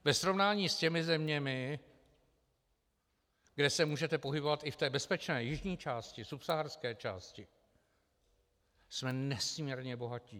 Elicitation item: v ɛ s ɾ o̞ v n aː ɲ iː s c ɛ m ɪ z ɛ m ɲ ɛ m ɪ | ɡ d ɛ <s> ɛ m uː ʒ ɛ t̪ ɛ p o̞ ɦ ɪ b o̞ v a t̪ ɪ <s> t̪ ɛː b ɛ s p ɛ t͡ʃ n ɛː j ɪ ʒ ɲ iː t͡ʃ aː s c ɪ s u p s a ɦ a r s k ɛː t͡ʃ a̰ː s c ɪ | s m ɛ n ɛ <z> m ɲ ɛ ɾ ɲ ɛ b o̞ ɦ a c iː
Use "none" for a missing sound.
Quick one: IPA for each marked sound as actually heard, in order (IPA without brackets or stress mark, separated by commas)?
s, f, s